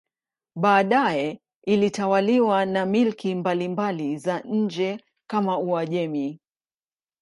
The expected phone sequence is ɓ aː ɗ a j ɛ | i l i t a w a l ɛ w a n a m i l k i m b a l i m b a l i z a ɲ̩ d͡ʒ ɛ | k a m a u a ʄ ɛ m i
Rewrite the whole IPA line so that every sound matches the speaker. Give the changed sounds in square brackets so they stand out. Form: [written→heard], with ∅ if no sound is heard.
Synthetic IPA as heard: ɓ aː ɗ a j ɛ | i l i t a w a l [ɛ→i] w a n a m i l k i m b a l i m b a l i z a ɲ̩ d͡ʒ ɛ | k a m a u a ʄ ɛ m i